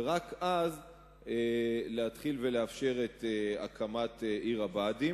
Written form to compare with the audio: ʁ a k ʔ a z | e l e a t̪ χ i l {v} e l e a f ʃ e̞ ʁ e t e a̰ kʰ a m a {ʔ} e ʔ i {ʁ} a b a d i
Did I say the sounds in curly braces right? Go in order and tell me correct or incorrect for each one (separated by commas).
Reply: correct, incorrect, correct